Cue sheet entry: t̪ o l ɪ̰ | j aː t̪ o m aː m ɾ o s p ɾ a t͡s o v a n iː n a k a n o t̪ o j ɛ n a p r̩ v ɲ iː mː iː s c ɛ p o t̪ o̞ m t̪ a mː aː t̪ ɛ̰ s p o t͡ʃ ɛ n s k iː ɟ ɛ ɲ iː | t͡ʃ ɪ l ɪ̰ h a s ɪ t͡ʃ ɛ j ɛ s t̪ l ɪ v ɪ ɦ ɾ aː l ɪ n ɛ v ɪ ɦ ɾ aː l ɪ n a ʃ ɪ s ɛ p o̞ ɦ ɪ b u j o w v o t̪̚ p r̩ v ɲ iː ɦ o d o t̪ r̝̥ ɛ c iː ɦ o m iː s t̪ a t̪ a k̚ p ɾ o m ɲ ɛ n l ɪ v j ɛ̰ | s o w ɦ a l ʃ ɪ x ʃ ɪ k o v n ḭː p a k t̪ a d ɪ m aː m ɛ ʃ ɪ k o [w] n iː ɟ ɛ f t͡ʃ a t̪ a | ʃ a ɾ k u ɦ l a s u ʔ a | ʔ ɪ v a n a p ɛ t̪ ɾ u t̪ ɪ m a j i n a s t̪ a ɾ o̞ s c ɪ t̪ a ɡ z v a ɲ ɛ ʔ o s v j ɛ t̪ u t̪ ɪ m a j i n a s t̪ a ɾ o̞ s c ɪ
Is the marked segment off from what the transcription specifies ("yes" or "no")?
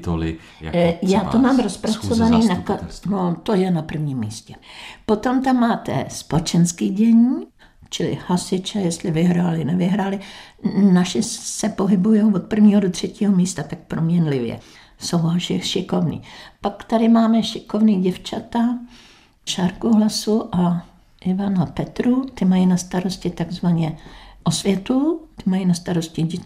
yes